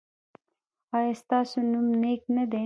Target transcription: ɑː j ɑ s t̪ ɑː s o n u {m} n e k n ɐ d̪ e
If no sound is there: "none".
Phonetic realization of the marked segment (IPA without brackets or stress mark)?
m